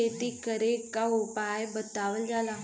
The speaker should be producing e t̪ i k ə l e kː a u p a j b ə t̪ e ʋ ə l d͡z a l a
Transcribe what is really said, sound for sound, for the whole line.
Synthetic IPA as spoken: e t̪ i k ə ɾ e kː a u p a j b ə t̪ a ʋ ə l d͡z a l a